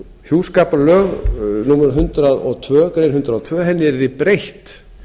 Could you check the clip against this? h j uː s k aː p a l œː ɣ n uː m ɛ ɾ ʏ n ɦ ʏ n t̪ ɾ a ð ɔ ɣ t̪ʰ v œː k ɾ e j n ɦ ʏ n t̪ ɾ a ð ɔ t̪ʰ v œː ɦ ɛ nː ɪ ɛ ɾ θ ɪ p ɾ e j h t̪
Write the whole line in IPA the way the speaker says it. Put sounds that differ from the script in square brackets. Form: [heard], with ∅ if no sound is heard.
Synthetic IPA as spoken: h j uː s k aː p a l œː ɣ n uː m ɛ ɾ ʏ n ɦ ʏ n t̪ ɾ a ð ɔ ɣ t̪ʰ v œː k ɾ e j n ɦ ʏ n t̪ ɾ a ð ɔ t̪ʰ v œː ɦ ɛ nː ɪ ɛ ɾ [ð] ɪ p ɾ e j h t̪